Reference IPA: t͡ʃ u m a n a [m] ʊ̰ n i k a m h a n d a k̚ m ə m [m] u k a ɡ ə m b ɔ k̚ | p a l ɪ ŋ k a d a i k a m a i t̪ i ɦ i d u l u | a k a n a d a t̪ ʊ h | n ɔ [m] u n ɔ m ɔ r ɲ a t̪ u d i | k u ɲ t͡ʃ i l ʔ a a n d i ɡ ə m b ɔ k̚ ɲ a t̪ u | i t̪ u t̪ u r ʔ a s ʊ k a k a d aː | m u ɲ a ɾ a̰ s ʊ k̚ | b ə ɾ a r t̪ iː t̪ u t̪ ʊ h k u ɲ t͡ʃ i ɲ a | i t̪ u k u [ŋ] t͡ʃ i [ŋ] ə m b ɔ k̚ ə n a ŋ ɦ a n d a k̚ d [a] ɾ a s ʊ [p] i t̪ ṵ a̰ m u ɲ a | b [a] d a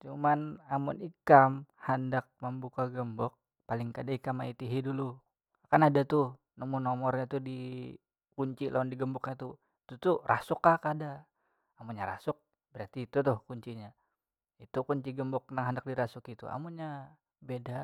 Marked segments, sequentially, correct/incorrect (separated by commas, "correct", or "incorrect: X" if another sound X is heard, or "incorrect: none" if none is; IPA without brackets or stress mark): correct, incorrect: b, correct, incorrect: ɲ, incorrect: ɡ, incorrect: i, incorrect: k, incorrect: e